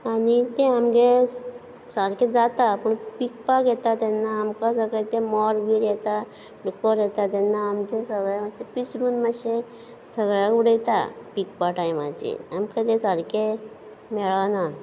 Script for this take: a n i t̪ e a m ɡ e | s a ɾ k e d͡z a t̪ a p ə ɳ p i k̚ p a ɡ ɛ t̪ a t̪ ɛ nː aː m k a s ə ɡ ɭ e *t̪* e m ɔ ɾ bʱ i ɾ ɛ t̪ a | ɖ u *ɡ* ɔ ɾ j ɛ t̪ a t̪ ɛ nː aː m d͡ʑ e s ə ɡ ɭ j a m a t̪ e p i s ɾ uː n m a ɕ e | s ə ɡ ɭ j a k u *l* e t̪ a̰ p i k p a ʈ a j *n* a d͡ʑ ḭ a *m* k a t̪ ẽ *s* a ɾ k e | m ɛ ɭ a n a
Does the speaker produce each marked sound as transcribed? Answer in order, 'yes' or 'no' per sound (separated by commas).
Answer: yes, no, no, no, yes, yes